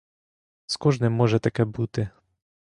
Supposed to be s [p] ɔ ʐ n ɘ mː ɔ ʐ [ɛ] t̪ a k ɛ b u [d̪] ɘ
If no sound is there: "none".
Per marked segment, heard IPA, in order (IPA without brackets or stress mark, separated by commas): k, ɛ, t̪